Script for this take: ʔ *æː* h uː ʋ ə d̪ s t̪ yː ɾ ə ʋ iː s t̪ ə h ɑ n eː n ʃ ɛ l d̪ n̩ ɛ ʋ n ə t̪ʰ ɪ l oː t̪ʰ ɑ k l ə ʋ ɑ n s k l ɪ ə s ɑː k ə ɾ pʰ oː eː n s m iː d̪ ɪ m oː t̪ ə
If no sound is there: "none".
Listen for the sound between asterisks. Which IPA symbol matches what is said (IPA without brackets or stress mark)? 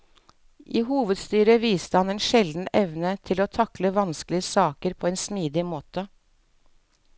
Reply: iː